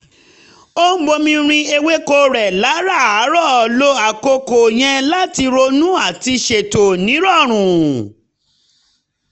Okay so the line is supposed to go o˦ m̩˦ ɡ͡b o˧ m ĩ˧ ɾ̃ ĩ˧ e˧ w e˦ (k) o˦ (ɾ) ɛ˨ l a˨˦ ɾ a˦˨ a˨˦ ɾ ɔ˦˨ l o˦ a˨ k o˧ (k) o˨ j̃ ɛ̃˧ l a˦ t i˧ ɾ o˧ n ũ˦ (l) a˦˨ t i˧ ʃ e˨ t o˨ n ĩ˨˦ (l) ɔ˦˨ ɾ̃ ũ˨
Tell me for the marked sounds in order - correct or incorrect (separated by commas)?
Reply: correct, correct, correct, incorrect, incorrect